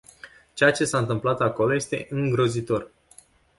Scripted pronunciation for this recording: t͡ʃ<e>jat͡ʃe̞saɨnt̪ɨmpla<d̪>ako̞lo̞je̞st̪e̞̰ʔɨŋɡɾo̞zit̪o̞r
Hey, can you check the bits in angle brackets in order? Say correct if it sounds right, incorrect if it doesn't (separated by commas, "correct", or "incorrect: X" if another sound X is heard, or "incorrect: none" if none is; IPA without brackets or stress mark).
correct, incorrect: t̪